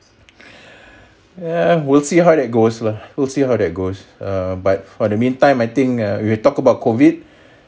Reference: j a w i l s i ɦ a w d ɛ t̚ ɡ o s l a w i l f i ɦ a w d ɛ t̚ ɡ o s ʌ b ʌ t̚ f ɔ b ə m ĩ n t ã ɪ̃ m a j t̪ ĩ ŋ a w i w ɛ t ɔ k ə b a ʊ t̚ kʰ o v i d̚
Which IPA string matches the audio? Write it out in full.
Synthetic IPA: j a w i l s i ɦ a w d ɛ t̚ ɡ o s l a w i l s i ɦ a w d ɛ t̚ ɡ o s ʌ b a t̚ f ɔ d ə m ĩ n t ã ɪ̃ m a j t̪ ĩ ŋ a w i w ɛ t ɔ k ə b a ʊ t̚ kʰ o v i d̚